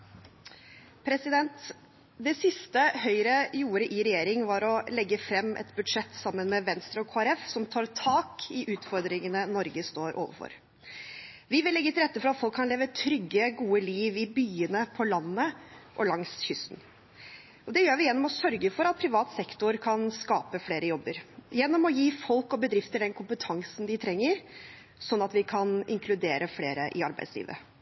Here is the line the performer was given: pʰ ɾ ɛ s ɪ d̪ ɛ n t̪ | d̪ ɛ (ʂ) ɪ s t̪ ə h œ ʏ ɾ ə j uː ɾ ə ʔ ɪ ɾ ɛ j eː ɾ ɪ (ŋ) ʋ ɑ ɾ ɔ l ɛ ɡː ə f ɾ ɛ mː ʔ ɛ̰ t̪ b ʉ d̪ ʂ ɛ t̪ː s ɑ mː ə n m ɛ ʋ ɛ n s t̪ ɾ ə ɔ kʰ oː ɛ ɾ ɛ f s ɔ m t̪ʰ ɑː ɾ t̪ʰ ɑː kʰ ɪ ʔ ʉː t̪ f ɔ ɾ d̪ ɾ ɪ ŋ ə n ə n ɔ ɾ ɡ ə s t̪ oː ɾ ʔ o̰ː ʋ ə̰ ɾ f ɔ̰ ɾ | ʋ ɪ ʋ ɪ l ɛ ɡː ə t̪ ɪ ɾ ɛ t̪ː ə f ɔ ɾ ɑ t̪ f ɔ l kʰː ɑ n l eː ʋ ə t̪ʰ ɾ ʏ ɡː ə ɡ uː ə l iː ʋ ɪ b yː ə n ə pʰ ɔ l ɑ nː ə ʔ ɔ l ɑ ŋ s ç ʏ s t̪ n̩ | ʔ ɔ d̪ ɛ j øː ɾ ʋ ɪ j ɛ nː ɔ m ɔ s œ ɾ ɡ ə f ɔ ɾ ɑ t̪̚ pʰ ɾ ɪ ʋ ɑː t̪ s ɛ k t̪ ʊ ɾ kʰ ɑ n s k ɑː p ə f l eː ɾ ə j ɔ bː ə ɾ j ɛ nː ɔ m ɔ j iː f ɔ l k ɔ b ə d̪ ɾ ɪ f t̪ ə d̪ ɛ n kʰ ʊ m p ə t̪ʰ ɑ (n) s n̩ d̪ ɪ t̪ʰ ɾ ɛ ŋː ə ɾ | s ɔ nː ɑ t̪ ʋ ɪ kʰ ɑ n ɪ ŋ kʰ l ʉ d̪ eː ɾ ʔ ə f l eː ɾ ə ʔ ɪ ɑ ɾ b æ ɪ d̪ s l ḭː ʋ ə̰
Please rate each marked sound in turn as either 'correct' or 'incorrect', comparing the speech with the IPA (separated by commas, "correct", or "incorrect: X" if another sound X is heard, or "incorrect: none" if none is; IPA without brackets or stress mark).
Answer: incorrect: s, correct, incorrect: ŋ